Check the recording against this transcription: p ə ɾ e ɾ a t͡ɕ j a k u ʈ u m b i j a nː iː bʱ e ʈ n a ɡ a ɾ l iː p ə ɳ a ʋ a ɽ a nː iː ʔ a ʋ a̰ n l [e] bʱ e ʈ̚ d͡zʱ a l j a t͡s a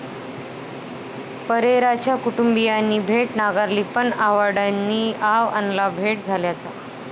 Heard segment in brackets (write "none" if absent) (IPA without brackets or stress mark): a